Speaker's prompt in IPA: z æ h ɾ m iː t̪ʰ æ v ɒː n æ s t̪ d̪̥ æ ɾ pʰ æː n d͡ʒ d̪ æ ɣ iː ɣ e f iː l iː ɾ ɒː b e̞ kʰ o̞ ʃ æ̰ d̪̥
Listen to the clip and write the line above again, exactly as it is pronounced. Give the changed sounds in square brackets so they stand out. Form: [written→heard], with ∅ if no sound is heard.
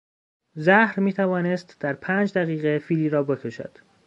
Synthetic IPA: z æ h ɾ m iː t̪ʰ æ v ɒː n [æ→e] s t̪ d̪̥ æ ɾ pʰ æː n d͡ʒ d̪ æ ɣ iː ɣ e f iː l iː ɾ ɒː b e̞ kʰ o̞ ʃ æ̰ d̪̥